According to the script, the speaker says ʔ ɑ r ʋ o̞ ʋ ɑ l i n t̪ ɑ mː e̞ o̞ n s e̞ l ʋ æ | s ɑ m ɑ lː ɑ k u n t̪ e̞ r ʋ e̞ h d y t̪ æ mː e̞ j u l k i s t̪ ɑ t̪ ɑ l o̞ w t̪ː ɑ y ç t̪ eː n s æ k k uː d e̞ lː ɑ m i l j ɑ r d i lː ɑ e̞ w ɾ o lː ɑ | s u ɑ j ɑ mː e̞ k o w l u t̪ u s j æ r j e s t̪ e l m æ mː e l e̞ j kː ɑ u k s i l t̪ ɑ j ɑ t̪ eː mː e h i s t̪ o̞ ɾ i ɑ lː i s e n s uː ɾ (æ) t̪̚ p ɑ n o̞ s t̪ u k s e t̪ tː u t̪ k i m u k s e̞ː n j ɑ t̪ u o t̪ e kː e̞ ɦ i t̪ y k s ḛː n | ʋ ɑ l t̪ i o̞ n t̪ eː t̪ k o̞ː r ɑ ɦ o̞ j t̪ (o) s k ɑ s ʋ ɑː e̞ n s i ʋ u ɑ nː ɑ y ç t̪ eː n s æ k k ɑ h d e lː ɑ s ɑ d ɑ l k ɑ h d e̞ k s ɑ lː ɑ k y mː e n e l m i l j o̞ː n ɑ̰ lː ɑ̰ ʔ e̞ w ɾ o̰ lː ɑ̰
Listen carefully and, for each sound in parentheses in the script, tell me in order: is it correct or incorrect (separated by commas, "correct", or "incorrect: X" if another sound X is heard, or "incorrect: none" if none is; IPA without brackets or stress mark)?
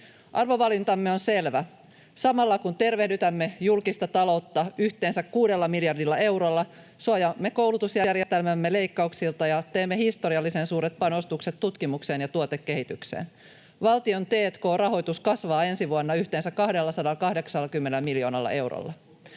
incorrect: e, incorrect: u